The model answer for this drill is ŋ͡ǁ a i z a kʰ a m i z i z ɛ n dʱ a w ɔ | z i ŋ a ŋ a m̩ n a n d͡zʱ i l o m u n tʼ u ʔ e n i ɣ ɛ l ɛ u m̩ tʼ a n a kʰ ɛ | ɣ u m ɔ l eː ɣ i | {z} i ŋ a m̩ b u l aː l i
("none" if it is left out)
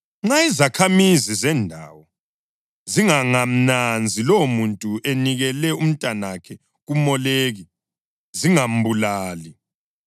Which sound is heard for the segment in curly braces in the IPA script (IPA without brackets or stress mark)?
z